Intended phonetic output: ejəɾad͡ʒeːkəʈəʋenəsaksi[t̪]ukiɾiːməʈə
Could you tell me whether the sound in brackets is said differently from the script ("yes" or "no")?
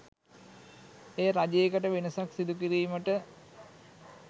yes